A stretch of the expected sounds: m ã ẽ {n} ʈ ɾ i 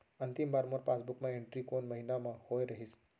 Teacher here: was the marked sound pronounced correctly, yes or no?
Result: no